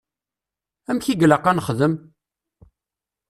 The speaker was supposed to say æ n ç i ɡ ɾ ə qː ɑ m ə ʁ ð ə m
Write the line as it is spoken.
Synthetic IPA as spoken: æ m ç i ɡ l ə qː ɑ n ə χ ð ə m